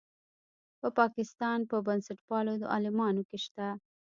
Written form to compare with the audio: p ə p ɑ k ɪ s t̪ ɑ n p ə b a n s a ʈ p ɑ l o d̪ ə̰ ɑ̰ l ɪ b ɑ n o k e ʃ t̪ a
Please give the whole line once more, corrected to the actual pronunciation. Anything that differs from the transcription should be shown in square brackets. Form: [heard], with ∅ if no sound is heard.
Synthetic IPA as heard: p ə p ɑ k ɪ s t̪ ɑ n p ə b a n s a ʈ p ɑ l o d̪ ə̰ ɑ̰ l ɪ [m] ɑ n o k e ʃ t̪ a